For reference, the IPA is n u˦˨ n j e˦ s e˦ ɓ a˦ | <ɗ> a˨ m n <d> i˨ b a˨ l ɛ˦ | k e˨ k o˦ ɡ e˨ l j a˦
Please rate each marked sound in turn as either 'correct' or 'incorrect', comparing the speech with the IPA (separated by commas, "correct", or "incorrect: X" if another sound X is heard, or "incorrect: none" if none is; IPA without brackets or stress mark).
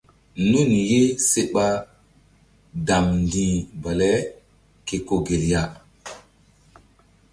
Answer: incorrect: d, correct